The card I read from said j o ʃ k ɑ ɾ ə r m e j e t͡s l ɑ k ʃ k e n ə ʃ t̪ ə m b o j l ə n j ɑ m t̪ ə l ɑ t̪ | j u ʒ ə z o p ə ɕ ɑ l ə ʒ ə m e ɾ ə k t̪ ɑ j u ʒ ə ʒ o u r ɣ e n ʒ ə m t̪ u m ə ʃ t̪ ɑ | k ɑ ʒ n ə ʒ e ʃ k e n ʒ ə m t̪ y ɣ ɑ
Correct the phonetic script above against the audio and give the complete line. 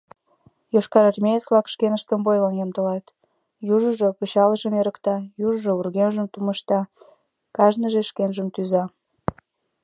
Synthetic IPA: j o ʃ k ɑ ɾ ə r m e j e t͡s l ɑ k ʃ k e n ə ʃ t̪ ə m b o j l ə n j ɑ m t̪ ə l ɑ t̪ | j u ʒ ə ʒ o p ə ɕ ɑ l ə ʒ ə m e ɾ ə k t̪ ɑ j u ʒ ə ʒ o u r ɣ e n ʒ ə m t̪ u m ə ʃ t̪ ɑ | k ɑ ʒ n ə ʒ e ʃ k e n ʒ ə m t̪ y z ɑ